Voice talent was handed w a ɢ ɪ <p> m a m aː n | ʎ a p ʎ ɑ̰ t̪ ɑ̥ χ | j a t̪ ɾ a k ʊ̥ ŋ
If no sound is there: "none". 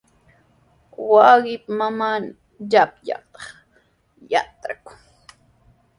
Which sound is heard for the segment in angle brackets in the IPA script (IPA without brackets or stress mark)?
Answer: p